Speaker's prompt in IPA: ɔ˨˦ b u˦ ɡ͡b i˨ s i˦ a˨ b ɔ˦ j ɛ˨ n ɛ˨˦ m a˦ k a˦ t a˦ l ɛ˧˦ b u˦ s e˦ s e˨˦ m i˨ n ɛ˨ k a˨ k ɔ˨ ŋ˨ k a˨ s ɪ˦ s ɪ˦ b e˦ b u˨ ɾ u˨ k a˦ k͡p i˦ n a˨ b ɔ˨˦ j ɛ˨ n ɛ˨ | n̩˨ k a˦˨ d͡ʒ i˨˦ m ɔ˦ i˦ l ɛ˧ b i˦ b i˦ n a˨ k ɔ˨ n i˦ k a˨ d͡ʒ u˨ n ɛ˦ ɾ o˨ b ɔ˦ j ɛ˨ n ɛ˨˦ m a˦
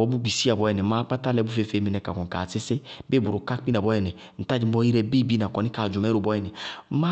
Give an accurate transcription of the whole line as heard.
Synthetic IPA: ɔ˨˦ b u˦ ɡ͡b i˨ s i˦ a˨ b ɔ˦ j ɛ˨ n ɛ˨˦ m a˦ k͡p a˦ t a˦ l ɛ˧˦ b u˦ f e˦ f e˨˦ m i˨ n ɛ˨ k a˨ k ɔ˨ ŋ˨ k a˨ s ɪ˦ s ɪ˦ b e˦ b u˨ ɾ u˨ k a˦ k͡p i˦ n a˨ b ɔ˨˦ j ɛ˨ n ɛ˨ | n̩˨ t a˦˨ d͡ʒ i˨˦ m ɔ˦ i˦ ɾ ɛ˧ b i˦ b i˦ n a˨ k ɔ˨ n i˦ k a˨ d͡ʒ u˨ m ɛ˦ ɾ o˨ b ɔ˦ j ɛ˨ n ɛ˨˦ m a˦